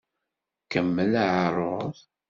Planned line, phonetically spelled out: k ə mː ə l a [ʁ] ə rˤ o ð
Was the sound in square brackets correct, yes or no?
no